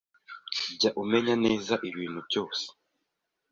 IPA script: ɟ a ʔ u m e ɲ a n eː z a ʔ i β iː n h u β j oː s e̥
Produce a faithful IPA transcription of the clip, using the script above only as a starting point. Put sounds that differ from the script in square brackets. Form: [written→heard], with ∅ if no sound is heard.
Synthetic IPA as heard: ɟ a ʔ u m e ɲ a n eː z a ʔ i β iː n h u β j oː s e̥